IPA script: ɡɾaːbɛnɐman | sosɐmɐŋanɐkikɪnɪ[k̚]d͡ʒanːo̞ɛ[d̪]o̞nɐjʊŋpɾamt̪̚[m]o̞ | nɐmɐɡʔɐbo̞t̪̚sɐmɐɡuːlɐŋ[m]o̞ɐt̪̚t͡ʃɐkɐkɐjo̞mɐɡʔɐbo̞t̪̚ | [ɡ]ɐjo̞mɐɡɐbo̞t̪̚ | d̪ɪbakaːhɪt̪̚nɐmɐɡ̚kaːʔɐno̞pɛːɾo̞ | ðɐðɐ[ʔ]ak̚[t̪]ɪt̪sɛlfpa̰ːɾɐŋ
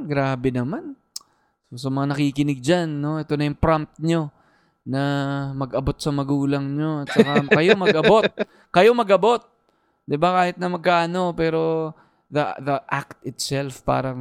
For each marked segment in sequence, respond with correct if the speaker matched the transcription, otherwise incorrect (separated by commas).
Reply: incorrect, incorrect, incorrect, incorrect, incorrect, correct, correct